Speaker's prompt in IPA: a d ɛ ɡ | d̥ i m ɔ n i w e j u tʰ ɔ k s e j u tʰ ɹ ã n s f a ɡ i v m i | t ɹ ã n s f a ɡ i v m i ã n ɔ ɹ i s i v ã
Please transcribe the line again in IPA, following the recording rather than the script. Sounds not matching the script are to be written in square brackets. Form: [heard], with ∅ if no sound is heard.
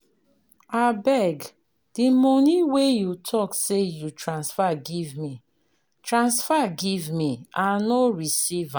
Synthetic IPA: a [b] ɛ ɡ | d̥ i m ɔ n i w e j u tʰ ɔ k s e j u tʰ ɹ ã n s f a ɡ i v m i | t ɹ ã n s f a ɡ i v m i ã n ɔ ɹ i s i v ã